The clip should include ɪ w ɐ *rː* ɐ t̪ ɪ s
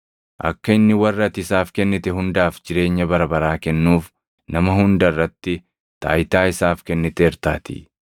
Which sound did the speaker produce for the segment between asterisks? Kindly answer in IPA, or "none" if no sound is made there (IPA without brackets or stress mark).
rː